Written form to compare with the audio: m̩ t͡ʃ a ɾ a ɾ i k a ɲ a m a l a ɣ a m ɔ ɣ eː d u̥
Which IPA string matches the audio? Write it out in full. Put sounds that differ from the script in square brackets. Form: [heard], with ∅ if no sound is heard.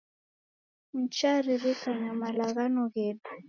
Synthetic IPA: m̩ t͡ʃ a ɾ [i] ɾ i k a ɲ a m a l a ɣ a [n] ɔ ɣ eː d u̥